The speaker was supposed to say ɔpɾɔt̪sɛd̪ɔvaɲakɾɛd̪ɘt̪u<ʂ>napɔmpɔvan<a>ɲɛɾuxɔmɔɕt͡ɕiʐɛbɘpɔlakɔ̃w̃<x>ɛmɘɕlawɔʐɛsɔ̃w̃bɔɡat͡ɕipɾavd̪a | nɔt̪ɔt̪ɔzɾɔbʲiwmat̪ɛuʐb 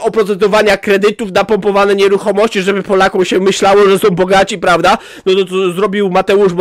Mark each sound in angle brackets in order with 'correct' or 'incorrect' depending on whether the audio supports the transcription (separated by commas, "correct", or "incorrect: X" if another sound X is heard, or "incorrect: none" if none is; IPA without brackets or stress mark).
incorrect: f, incorrect: ɛ, incorrect: ɕ